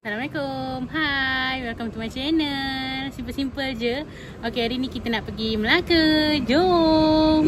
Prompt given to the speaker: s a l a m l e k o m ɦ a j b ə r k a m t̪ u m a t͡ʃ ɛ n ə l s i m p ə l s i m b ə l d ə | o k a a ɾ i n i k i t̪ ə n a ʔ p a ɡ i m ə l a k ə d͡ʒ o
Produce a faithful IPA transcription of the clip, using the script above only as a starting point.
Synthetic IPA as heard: s a l a m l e k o m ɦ a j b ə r k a m t̪ u m a t͡ʃ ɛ n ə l s i m p ə l s i m p ə l d͡ʒ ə | o k e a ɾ i n i k i t̪ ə n a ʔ p ə ɡ i m ə l a k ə d͡ʒ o